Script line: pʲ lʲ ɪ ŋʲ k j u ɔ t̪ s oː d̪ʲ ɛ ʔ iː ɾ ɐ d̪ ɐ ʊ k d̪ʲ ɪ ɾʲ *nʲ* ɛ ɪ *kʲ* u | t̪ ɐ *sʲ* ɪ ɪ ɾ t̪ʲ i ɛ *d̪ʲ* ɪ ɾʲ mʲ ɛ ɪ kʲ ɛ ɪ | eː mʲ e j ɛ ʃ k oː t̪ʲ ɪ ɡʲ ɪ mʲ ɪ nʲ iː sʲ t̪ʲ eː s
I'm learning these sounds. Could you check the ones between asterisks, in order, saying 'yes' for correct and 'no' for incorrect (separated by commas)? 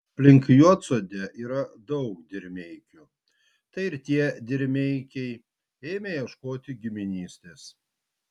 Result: no, yes, no, yes